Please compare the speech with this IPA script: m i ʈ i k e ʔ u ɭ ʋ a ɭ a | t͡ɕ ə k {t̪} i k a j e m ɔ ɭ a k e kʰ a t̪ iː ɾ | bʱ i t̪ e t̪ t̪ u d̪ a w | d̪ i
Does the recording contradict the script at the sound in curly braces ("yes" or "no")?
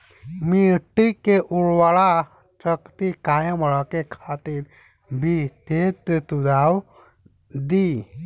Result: no